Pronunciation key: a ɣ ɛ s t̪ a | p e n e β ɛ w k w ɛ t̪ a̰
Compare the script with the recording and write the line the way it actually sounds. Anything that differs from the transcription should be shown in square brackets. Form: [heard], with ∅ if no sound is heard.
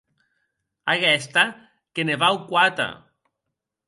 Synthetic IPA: a ɣ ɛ s t̪ a | [k] e n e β [a] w k w [a] t̪ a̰